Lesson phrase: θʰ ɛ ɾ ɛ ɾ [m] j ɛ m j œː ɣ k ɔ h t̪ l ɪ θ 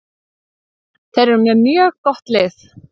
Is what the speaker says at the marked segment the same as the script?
yes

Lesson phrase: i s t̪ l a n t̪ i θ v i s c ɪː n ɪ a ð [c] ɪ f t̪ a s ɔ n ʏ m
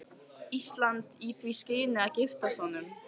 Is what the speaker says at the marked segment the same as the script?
yes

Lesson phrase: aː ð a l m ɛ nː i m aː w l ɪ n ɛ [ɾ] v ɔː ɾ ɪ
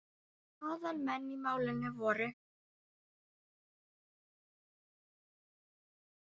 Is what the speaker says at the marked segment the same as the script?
no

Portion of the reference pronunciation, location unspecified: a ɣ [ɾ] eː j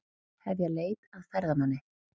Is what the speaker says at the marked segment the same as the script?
no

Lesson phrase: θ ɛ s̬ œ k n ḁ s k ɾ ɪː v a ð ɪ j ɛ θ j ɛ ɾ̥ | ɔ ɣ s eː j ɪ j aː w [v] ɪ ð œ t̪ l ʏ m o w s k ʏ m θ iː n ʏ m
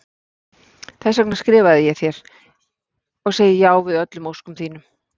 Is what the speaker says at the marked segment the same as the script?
yes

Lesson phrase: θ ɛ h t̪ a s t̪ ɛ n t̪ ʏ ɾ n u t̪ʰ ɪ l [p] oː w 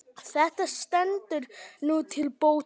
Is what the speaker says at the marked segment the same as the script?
yes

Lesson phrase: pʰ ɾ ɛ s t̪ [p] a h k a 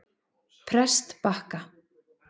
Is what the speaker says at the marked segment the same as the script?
yes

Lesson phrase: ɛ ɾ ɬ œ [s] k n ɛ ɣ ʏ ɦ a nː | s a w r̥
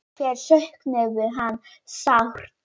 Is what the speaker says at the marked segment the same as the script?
no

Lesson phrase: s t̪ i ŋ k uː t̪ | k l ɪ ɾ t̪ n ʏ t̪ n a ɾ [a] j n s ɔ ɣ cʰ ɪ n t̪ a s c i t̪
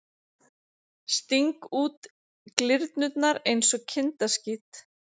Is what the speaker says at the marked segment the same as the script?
no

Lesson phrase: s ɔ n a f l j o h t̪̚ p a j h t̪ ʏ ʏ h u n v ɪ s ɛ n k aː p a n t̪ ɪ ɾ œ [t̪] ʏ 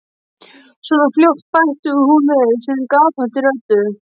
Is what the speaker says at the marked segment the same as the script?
yes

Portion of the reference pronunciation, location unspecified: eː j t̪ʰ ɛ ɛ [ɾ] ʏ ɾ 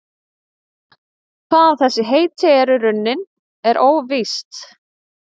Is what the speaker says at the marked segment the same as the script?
yes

